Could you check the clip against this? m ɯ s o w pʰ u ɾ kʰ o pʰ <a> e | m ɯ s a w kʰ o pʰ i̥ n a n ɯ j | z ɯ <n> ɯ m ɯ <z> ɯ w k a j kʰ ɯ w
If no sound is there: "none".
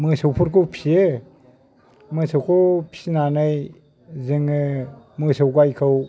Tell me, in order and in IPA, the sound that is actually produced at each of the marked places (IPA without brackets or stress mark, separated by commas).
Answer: i, ŋ, s